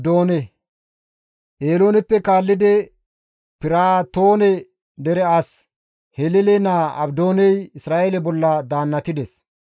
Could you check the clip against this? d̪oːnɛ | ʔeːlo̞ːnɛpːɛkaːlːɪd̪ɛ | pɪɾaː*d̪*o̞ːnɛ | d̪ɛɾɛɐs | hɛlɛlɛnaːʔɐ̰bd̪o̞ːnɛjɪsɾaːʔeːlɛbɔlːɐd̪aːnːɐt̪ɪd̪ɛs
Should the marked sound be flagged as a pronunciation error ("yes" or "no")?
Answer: yes